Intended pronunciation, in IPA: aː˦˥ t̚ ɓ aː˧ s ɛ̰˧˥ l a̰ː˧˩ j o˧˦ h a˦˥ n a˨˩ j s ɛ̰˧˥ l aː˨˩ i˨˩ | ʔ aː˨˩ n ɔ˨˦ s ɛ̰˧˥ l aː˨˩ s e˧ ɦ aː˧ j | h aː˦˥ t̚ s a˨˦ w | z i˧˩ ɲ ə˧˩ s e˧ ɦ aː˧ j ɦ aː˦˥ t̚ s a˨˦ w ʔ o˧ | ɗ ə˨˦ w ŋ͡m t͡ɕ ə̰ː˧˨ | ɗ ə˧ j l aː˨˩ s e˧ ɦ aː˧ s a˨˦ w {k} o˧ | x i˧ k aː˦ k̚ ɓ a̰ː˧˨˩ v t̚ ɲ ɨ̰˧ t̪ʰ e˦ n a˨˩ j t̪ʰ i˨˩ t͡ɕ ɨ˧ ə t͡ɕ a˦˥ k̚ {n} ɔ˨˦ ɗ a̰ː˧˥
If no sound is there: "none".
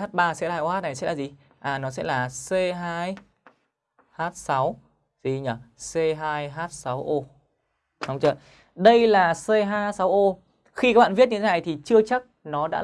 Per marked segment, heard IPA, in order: ʔ, n

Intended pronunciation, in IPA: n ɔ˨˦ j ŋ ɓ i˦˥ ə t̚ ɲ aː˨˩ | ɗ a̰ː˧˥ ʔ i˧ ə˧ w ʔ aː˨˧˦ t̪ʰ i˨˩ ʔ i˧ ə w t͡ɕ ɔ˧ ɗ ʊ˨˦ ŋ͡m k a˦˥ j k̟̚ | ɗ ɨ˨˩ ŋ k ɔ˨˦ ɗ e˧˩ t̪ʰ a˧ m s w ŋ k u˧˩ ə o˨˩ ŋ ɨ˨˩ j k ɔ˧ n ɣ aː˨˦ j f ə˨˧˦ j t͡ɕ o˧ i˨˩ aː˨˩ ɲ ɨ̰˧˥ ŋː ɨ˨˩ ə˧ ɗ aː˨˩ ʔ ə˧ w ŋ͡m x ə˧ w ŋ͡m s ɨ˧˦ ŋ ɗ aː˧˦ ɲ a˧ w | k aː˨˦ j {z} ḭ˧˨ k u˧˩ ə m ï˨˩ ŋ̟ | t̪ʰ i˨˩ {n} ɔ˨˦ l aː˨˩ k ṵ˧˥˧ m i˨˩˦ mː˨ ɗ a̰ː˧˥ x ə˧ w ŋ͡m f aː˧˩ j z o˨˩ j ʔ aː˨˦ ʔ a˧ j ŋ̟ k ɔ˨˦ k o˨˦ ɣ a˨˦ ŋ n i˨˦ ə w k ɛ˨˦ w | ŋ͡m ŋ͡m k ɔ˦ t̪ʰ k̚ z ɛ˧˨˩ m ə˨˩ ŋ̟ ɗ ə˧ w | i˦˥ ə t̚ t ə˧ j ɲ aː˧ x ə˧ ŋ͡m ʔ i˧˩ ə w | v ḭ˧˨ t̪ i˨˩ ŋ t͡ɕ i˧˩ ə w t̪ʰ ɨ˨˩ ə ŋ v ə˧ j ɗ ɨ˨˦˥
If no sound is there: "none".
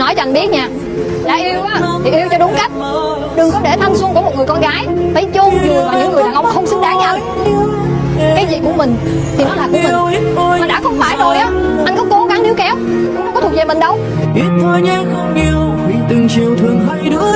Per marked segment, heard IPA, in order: z, n

